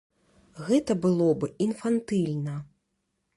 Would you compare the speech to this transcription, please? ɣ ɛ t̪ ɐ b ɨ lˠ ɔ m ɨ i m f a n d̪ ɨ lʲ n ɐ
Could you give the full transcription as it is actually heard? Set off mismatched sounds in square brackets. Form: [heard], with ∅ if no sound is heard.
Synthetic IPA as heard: ɣ ɛ t̪ ɐ b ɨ lˠ ɔ [b] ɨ i [n] f a n [t̪] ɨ lʲ n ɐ